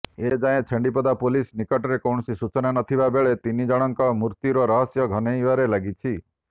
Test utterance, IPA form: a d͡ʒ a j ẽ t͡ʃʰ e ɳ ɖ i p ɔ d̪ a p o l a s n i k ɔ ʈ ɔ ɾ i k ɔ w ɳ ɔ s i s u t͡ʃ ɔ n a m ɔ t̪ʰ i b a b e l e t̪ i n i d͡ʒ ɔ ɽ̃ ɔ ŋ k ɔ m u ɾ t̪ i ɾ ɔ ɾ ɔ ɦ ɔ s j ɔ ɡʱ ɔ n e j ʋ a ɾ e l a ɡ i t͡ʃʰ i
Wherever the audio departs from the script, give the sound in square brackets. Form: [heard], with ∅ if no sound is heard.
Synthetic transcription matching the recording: [e] d͡ʒ a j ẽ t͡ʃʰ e ɳ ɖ i p ɔ d̪ a p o l [i] s n i k ɔ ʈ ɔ ɾ [e] k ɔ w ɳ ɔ s i s u t͡ʃ ɔ n a [n] ɔ t̪ʰ i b a b e [ɭ] e t̪ i n i d͡ʒ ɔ ɽ̃ ɔ ŋ k ɔ m u ɾ t̪ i ɾ ɔ ɾ ɔ ɦ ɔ s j ɔ ɡʱ ɔ n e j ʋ a ɾ e l a ɡ i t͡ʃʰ i